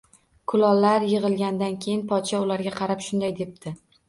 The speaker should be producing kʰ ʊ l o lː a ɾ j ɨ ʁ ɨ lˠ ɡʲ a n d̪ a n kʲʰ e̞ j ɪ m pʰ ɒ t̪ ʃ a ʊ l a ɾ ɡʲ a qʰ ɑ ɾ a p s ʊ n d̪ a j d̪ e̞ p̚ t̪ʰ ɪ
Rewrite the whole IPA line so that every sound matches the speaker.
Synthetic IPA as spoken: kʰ ʊ l ɒ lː a ɾ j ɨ ʁ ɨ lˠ ɡʲ a n d̪ a n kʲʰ e̞ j ɪ n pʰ ɒ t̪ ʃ a ʊ l a ɾ ɡʲ a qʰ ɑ ɾ a p ʃ ʊ n d̪ a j d̪ e̞ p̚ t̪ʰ ɪ